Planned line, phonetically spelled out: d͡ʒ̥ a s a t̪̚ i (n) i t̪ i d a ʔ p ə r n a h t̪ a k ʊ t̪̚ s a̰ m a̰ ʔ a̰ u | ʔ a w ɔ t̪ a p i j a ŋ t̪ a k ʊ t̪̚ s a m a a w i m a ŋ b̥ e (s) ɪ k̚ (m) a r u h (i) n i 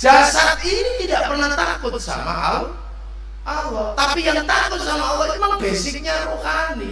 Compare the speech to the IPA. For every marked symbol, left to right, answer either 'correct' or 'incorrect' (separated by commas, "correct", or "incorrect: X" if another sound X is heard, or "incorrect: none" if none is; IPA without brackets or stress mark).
correct, correct, incorrect: ɲ, incorrect: a